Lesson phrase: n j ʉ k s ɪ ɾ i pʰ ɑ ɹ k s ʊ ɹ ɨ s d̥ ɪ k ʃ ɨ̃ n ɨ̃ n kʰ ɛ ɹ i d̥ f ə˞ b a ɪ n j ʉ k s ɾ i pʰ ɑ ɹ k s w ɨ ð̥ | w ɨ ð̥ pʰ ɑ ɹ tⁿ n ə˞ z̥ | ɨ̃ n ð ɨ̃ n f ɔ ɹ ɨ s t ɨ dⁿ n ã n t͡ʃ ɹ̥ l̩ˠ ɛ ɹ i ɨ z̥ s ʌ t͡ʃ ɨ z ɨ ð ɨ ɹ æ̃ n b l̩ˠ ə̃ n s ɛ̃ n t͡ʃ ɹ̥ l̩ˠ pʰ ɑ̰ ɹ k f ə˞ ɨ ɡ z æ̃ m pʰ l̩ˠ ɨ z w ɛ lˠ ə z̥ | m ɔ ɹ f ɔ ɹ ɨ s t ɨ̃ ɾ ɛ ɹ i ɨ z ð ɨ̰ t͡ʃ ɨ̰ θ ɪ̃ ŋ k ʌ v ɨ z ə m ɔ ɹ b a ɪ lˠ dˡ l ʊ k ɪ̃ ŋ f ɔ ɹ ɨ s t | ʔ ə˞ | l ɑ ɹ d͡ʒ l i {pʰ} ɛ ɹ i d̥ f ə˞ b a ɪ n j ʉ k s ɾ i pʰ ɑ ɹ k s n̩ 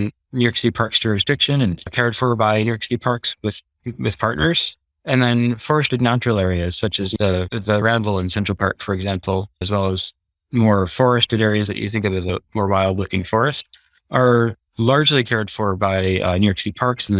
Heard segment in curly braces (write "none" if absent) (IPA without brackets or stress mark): kʰ